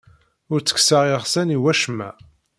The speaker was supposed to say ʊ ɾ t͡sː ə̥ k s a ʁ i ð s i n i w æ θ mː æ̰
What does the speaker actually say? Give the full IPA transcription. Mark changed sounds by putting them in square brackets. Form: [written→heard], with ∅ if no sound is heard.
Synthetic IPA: ʊ ɾ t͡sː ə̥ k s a ʁ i [ð→ʁ] s [i→æ] n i w æ [θ→ʃ] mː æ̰